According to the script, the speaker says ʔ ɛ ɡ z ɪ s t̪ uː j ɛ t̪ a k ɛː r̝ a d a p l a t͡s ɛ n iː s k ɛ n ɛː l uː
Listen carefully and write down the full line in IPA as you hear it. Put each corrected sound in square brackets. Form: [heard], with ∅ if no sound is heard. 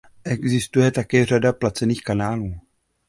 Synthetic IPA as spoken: ʔ ɛ ɡ z ɪ s t̪ [u] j ɛ t̪ a k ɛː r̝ a d a p l a t͡s ɛ n iː [x] k [a] n [aː] l uː